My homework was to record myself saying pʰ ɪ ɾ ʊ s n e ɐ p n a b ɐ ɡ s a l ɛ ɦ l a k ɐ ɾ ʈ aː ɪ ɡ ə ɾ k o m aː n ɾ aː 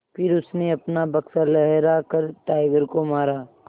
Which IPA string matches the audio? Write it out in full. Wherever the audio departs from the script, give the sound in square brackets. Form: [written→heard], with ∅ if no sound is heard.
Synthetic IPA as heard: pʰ ɪ ɾ ʊ s n e ɐ p n a b ɐ [ɡ→k] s a l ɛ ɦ [l→ɾ] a k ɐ ɾ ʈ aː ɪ ɡ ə ɾ k o m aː [n→∅] ɾ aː